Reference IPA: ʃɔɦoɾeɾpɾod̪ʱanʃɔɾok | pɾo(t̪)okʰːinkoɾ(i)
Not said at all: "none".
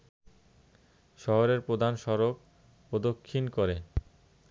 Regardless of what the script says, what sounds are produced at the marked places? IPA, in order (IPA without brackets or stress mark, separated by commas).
d̪, e